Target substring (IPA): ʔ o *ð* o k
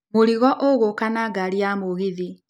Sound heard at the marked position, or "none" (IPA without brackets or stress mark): ɣ